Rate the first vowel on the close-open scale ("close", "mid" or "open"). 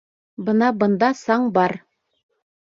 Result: mid